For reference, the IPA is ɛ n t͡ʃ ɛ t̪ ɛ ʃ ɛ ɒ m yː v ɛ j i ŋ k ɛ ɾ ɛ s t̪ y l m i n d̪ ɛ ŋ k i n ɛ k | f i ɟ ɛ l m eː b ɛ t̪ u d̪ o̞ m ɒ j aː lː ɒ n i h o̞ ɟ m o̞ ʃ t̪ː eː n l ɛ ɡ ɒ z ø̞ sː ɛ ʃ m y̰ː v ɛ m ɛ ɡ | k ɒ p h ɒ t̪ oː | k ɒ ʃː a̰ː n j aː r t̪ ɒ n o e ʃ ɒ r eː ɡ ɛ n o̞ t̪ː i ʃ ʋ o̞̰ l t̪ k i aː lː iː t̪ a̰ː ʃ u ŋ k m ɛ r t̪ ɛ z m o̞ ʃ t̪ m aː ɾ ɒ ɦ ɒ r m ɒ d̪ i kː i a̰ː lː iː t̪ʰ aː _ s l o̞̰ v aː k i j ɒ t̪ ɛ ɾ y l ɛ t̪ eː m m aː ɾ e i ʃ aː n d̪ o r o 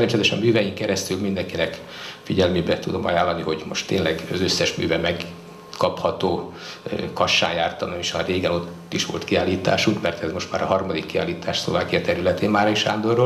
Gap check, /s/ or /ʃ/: ʃ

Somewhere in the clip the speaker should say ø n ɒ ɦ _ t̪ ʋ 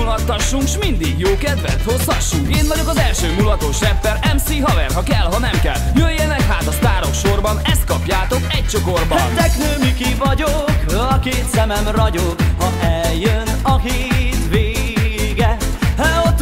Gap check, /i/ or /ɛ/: i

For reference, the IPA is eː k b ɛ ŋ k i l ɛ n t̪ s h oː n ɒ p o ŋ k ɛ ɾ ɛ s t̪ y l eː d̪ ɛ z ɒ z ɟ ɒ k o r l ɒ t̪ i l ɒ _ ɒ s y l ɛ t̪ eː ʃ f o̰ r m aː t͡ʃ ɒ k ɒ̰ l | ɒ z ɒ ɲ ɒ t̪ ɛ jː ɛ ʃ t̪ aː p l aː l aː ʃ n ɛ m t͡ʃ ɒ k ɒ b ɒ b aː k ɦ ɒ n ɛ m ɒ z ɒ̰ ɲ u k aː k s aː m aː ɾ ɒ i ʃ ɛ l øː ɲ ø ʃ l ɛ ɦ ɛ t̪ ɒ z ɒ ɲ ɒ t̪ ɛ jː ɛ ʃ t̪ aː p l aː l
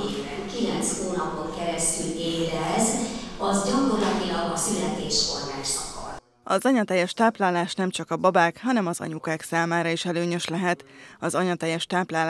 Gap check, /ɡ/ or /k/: ɡ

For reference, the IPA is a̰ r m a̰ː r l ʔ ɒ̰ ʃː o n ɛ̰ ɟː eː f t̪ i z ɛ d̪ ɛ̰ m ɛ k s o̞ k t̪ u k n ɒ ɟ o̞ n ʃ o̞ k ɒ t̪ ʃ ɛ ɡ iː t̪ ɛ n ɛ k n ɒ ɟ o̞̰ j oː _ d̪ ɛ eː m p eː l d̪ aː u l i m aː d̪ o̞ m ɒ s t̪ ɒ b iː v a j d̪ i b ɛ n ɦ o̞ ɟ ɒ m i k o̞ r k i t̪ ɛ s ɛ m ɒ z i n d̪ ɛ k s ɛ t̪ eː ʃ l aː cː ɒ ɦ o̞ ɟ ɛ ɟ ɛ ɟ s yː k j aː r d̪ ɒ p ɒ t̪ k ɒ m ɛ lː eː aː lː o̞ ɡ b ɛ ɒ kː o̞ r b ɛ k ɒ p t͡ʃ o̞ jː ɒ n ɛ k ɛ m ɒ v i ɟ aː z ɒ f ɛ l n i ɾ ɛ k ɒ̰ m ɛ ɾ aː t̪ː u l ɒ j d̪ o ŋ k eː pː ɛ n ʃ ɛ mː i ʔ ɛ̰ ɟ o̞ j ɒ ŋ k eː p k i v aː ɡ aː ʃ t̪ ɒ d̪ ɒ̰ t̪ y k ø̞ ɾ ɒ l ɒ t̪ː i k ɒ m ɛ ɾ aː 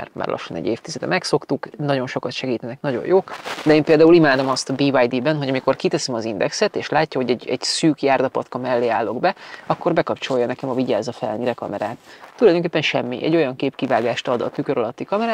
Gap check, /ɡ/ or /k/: k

